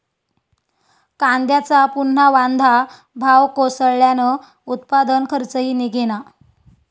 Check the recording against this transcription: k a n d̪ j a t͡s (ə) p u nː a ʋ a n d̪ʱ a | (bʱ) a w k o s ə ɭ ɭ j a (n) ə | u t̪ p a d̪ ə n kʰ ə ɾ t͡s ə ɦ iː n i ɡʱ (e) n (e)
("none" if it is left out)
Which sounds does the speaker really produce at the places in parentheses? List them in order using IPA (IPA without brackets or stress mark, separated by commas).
a, bʱ, n, e, a